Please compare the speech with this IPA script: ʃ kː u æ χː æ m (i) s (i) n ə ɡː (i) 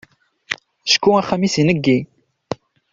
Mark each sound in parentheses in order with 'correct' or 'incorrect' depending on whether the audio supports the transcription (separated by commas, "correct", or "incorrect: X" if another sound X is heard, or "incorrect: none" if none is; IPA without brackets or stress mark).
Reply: correct, correct, correct